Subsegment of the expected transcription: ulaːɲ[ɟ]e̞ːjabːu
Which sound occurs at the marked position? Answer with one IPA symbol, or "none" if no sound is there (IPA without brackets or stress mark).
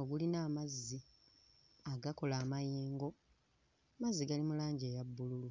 ɟ